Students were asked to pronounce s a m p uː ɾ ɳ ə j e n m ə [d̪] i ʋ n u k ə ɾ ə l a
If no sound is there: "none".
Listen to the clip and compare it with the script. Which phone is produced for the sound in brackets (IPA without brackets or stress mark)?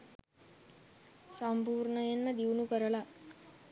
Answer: d̪